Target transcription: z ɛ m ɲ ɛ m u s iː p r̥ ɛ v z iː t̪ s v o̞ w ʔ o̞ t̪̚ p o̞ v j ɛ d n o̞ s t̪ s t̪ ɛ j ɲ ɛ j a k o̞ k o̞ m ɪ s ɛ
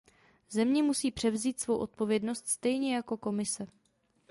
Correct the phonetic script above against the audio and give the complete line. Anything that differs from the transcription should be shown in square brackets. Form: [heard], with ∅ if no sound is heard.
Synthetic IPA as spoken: z ɛ m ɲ ɛ m u s iː p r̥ ɛ v z iː t̪ s v o̞ w ʔ o̞ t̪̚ p o̞ v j ɛ d n o̞ s t̪ s t̪ ɛ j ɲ ɛ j a k o̞ k o̞ m ɪ s ɛ